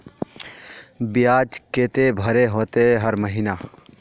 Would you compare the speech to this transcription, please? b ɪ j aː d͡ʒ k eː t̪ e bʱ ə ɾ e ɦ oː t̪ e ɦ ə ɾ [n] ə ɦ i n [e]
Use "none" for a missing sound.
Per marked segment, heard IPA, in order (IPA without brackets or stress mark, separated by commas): m, a